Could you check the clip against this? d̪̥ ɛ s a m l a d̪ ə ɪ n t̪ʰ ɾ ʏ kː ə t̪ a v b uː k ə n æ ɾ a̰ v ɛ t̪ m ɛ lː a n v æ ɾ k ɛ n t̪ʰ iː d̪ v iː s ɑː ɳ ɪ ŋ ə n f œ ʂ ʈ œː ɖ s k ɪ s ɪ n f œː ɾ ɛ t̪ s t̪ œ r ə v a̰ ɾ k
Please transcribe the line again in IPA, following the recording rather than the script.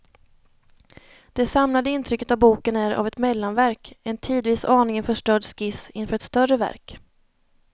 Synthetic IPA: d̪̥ ɛ s a m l a d̪ ə ɪ n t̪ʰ ɾ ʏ kː ə t̪ a v b uː k ə n æ ɾ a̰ v ɛ t̪ m ɛ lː a n v æ ɾ k ɛ n t̪ʰ iː d̪ v iː s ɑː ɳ ɪ ŋ ə n f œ ʂ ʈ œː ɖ s k ɪ s ɪ n f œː ɾ ɛ t̪ s t̪ œ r ə v æ̰ ɾ k